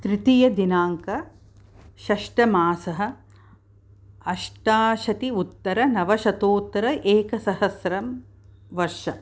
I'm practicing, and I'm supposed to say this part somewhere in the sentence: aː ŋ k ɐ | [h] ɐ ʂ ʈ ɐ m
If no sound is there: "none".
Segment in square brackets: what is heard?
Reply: ʃ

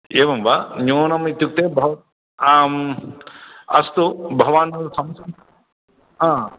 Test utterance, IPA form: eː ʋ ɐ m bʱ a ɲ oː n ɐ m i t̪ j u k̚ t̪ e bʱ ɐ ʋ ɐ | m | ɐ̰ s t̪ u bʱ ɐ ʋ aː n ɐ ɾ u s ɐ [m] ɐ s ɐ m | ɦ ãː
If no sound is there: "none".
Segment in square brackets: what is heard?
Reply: m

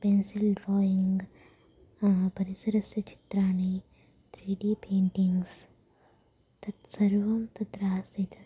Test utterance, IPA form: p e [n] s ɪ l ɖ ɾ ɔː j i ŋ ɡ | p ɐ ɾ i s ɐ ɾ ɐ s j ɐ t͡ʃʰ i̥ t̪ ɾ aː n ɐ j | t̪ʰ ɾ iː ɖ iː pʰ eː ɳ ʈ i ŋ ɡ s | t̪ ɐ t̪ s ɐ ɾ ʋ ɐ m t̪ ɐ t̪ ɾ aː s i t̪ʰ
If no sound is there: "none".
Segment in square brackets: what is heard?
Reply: n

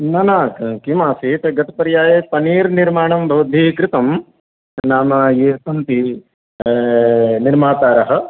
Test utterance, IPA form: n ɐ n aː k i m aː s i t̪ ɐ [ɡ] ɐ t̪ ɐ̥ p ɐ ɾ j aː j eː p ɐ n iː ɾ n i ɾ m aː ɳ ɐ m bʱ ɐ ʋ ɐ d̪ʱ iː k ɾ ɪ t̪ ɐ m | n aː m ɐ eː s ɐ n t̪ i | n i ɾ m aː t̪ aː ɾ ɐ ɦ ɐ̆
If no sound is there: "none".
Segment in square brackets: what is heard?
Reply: ɡ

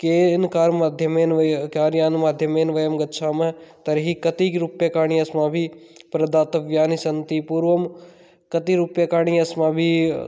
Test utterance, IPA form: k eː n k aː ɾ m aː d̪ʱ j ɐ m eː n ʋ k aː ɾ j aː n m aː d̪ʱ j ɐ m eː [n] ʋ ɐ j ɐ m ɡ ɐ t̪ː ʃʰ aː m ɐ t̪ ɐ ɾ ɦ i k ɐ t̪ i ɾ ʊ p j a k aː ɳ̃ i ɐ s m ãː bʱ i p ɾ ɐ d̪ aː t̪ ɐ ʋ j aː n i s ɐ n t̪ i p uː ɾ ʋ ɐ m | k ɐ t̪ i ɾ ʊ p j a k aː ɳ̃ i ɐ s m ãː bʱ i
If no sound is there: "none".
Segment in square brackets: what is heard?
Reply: n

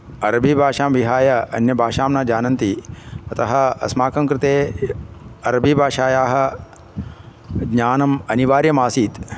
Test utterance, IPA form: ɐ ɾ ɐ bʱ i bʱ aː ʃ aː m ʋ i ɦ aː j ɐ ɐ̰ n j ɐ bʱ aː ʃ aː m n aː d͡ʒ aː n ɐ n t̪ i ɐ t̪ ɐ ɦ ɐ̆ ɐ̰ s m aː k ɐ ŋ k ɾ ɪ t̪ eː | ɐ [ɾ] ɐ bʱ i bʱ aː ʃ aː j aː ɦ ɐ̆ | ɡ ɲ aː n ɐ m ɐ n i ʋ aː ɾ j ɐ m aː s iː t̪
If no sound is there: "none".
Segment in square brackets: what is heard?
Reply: ɾ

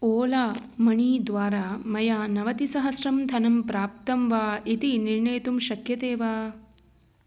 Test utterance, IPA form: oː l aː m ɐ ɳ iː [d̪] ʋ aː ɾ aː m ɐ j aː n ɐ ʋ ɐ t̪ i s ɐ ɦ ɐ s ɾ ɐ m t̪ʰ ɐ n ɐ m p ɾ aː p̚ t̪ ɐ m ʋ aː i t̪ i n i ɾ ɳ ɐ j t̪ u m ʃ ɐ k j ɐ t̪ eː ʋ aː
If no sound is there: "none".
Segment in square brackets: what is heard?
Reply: d̪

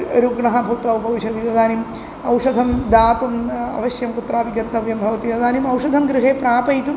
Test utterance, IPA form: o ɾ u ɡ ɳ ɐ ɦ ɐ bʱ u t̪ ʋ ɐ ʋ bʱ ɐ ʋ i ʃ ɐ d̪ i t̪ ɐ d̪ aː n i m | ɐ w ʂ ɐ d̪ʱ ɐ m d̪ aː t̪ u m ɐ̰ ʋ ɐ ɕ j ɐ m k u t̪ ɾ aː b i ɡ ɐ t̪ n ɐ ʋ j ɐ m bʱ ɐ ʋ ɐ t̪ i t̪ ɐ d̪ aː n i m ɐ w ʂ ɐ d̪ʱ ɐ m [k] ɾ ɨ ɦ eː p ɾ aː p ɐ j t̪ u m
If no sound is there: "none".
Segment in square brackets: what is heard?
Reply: ɡ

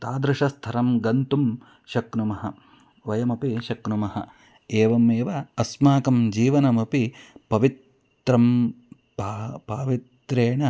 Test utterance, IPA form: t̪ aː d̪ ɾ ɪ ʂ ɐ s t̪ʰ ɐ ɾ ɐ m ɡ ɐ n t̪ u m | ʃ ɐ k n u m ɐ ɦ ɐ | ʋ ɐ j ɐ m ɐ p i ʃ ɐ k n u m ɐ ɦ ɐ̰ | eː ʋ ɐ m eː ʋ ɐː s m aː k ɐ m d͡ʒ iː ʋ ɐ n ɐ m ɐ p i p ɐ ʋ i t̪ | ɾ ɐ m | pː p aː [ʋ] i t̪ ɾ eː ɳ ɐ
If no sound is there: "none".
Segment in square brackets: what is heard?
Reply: ʋ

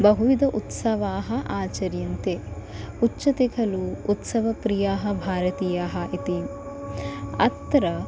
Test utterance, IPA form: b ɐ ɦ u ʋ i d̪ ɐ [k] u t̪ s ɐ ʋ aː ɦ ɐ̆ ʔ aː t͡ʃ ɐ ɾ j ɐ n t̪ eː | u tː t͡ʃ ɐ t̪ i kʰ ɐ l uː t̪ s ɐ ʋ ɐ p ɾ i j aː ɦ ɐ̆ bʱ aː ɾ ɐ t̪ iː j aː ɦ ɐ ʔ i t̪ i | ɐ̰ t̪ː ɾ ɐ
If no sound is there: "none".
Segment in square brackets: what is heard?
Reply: ʔ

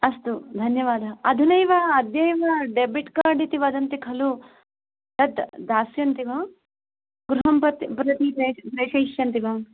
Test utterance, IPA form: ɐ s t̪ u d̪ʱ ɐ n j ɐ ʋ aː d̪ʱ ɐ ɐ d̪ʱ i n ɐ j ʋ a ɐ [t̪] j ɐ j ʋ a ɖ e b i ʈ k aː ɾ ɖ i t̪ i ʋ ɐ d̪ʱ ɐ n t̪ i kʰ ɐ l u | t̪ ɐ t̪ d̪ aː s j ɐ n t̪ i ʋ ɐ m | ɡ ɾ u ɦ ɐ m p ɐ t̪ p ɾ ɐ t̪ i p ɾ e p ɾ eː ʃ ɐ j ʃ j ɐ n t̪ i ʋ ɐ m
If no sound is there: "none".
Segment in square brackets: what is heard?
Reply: d̪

